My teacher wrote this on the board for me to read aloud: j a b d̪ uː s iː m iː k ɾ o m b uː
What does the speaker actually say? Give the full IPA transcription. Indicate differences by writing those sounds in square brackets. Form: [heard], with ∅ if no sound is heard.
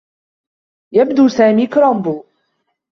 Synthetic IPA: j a b d̪ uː s [aː] m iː k ɾ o m b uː